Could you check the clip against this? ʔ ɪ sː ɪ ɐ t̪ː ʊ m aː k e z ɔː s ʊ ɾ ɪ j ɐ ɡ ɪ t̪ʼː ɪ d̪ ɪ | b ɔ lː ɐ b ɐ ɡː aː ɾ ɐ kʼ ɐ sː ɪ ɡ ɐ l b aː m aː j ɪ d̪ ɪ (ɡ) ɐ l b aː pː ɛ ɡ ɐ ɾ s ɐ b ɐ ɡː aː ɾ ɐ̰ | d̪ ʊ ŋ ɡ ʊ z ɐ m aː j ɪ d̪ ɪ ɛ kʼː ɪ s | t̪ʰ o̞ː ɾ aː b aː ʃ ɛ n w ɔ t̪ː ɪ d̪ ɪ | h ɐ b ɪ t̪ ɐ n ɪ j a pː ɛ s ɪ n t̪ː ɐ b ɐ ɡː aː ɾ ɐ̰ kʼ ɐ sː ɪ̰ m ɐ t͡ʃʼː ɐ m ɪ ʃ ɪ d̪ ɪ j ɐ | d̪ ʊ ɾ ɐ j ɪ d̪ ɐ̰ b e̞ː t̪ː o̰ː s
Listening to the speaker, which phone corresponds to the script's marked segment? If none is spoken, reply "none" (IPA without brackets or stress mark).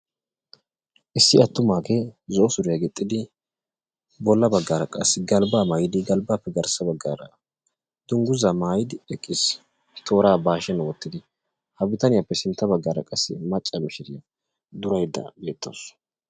ɡ